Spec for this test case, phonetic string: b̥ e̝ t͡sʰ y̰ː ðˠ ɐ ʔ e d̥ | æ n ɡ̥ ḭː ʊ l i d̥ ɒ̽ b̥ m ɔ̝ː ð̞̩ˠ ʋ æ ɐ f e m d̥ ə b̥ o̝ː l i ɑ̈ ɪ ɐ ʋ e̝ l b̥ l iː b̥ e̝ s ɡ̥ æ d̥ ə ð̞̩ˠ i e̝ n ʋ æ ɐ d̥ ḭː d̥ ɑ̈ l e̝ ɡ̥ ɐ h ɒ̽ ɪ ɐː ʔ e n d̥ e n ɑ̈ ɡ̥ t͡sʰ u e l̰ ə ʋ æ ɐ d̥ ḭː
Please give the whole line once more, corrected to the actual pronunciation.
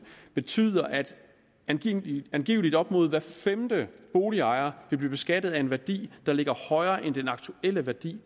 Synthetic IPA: b̥ e̝ t͡sʰ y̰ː ðˠ ɐ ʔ æ d̥ | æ n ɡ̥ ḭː ʊ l i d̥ ɒ̽ b̥ m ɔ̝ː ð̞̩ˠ ʋ æ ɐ f e m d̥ ə b̥ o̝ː l i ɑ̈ ɪ ɐ ʋ e̝ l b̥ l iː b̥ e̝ s ɡ̥ æ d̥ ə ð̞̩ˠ æ e̝ n ʋ æ ɐ d̥ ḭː d̥ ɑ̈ l e̝ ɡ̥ ɐ h ɒ̽ ɪ ɐː ʔ e n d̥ e n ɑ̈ ɡ̥ t͡sʰ u e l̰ ə ʋ æ ɐ d̥ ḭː